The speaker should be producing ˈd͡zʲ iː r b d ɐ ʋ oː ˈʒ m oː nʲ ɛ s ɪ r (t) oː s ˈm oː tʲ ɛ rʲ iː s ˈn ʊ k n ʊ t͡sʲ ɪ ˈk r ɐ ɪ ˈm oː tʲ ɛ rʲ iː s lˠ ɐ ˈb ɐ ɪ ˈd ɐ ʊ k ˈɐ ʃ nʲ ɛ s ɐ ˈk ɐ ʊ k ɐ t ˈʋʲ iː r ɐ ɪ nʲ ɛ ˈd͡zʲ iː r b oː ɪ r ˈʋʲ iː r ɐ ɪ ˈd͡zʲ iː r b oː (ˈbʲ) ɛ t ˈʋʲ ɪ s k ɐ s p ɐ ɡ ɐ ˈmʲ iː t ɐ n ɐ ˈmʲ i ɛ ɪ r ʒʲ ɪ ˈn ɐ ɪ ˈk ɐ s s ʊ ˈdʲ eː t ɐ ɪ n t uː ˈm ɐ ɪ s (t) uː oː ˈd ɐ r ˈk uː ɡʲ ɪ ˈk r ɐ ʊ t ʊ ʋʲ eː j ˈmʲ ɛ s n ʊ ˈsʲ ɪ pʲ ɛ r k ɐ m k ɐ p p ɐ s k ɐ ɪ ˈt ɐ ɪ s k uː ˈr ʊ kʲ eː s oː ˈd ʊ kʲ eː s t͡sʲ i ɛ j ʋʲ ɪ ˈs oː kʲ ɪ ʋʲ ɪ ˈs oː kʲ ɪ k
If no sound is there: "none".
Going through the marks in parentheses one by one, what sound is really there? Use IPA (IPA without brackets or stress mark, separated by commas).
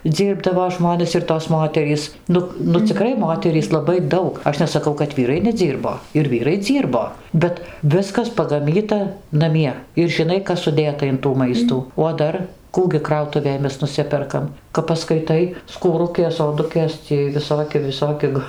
t, bʲ, t